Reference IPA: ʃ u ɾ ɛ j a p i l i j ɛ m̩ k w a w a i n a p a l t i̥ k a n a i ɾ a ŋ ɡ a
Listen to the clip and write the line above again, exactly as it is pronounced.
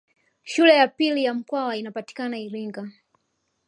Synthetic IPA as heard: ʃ u l ɛ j a p i l i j a m̩ k w a w a i n a p a t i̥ k a n a i ɾ i ŋ ɡ a